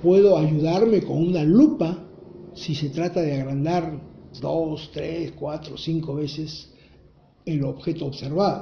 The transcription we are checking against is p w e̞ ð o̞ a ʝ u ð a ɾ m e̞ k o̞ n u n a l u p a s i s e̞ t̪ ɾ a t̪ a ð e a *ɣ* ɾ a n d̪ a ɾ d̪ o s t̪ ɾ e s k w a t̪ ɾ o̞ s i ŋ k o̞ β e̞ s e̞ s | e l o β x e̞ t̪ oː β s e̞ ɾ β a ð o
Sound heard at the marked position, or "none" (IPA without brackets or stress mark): ɣ